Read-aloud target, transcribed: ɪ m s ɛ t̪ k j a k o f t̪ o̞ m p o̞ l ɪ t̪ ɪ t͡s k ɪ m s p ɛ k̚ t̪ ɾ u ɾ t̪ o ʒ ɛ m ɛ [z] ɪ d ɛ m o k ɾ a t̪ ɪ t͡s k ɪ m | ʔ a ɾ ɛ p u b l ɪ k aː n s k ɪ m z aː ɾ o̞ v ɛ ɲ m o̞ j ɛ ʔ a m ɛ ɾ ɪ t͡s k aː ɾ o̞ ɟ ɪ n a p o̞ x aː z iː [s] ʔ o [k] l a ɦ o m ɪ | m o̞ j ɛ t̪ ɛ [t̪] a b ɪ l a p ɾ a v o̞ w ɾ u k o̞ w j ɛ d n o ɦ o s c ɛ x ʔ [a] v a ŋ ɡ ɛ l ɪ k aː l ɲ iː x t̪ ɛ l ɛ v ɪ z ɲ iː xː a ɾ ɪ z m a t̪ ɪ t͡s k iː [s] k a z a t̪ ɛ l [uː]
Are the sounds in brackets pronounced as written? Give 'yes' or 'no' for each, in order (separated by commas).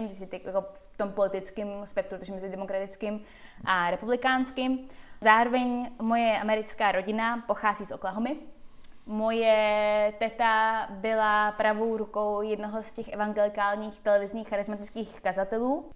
yes, yes, yes, yes, no, no, yes